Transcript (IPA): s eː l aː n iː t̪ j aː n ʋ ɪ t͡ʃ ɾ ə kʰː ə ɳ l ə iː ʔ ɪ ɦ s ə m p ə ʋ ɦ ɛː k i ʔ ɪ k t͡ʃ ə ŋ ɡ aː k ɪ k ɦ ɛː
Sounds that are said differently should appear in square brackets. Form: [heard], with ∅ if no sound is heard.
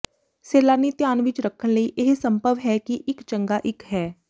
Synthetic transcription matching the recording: s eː l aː n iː t̪ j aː n ʋ ɪ t͡ʃ ɾ ə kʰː ə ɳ l ə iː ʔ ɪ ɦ s ə m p ə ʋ ɦ ɛː k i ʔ ɪ k t͡ʃ ə ŋ ɡ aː [ʔ] ɪ k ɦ ɛː